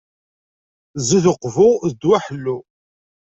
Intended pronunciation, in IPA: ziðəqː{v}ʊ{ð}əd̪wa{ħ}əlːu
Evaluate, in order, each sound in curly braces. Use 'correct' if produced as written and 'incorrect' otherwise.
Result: correct, correct, correct

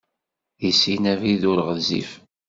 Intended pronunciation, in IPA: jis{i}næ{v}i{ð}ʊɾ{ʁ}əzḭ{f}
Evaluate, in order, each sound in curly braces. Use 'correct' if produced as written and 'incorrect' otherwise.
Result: correct, correct, correct, correct, correct

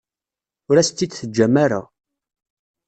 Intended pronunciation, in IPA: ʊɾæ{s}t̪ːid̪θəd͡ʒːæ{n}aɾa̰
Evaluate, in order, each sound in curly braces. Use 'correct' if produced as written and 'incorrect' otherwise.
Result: correct, incorrect

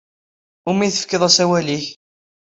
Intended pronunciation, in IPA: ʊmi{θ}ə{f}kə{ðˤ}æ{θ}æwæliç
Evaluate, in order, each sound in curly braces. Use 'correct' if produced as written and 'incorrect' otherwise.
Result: correct, correct, correct, incorrect

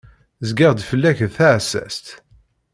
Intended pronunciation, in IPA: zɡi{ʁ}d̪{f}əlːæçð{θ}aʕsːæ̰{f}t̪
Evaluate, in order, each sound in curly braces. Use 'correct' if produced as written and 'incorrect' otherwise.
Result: correct, correct, correct, incorrect

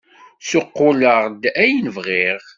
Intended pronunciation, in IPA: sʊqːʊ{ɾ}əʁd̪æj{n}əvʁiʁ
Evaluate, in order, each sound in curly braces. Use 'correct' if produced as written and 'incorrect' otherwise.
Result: incorrect, correct

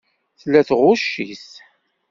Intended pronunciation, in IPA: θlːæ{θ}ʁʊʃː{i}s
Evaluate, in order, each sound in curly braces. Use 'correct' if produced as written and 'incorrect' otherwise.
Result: correct, correct

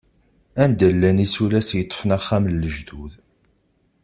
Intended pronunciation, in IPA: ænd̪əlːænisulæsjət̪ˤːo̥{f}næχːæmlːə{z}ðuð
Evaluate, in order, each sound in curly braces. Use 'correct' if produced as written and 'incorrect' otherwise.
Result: correct, incorrect

